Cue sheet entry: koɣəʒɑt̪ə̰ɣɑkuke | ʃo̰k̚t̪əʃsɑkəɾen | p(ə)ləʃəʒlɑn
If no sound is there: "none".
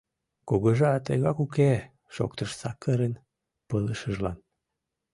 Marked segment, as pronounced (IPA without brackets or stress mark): ə